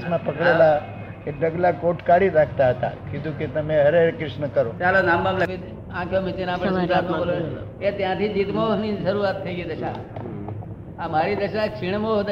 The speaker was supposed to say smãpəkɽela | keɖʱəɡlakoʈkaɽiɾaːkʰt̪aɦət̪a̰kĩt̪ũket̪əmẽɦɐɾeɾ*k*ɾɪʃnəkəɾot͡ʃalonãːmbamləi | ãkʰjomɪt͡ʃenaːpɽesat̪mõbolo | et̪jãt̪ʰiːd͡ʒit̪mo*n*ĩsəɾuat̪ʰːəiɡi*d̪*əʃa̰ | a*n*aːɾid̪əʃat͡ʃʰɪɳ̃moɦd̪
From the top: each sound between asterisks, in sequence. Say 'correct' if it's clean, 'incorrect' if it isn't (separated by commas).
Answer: correct, correct, correct, incorrect